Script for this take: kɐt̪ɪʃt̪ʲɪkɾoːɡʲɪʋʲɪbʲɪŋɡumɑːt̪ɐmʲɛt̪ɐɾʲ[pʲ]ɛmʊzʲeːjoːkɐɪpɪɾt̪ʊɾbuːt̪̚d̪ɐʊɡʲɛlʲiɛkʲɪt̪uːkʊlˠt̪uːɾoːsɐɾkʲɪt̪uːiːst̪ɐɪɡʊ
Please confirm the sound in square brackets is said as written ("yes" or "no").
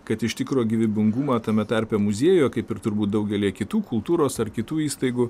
yes